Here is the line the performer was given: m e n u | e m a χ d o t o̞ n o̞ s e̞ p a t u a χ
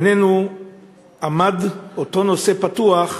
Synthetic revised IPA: n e n u | a m a d o t o̞ n o̞ s e̞ p a t u a χ

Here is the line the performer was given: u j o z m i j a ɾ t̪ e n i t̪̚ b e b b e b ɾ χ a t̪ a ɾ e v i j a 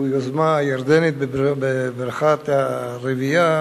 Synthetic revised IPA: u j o z m a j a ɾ d̪ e n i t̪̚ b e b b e b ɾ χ a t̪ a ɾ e v i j a

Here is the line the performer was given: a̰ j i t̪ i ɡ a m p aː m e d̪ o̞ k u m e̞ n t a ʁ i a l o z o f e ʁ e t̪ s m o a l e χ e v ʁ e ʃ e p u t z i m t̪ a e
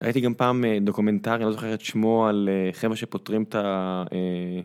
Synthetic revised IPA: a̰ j i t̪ i ɡ a m p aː m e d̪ o̞ k u m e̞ n t a ʁ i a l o z o χ e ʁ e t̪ ʃ m o a l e χ e v ʁ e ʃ e p o t ʁ i m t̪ a e

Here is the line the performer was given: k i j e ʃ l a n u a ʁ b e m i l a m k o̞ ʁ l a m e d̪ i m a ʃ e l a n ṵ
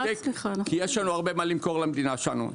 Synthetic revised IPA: k i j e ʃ l a n u a ʁ b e m a l i m k o̞ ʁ l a m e d̪ i n a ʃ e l a n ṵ

